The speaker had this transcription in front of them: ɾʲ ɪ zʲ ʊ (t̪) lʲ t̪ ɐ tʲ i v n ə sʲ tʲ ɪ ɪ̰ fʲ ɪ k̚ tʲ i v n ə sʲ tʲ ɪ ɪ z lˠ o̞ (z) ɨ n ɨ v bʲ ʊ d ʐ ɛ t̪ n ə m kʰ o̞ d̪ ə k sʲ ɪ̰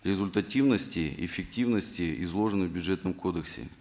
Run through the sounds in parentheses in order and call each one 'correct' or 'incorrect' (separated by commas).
incorrect, incorrect